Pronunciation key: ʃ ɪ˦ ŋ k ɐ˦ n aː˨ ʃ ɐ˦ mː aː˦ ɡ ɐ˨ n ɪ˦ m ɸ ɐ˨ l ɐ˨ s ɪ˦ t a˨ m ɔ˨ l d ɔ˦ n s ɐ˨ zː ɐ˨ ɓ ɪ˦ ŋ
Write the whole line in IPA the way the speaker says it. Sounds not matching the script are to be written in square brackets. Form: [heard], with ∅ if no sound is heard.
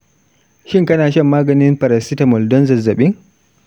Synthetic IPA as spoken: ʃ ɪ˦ ŋ k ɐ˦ n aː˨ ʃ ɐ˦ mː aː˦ ɡ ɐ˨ n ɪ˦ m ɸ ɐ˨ [ɾ] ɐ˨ s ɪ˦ t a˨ m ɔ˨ l d ɔ˦ n [z] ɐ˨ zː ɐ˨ ɓ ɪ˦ ŋ